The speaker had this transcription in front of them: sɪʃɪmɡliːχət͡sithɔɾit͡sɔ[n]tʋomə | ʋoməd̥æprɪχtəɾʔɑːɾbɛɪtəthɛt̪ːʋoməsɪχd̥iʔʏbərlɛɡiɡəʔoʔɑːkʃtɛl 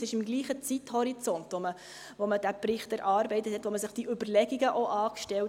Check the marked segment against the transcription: correct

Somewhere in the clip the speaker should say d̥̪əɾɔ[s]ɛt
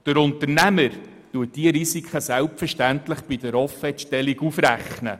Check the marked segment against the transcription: incorrect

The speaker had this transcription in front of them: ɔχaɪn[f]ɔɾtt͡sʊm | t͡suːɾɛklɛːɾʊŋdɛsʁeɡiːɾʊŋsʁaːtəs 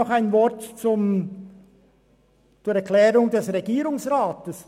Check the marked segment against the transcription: incorrect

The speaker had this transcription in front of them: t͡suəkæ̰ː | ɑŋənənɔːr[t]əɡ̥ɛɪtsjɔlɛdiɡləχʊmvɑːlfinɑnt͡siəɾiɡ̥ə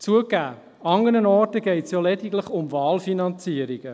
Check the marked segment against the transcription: correct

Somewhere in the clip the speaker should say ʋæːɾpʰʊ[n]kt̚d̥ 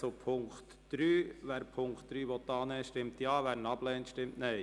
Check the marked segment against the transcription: incorrect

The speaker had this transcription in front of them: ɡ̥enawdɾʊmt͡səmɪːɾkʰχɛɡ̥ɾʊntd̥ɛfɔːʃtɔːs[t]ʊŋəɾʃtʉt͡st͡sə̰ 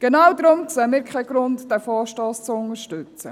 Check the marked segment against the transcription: incorrect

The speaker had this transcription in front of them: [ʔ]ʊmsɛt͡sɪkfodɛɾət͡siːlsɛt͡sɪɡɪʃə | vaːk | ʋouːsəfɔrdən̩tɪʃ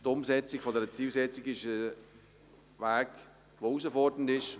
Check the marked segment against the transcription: incorrect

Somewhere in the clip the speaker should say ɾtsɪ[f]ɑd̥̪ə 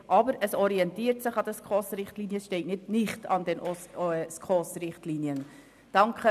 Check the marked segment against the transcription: incorrect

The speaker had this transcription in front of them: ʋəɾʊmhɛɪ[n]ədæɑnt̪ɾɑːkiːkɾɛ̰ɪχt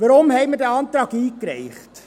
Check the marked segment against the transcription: incorrect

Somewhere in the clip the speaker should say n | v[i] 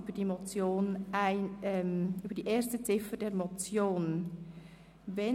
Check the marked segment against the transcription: incorrect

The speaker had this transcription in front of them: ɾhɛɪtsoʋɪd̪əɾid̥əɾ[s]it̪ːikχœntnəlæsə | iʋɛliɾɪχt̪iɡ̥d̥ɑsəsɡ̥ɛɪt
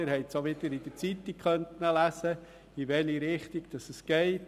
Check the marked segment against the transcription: incorrect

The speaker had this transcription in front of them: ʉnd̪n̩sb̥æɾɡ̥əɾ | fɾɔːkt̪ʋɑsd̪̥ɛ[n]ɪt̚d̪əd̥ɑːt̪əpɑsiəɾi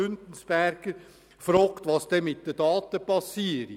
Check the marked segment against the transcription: incorrect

